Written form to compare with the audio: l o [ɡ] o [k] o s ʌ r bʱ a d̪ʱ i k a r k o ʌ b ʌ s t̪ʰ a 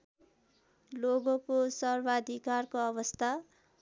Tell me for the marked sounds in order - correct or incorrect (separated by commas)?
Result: correct, correct